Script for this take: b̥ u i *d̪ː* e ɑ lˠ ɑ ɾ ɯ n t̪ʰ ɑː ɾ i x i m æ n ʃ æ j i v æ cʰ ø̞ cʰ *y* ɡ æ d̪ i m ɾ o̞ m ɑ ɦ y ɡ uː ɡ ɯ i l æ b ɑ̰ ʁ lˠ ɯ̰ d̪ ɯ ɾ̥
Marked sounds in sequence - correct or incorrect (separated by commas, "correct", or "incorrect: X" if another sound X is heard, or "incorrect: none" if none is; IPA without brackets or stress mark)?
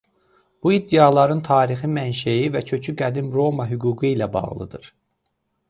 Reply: correct, correct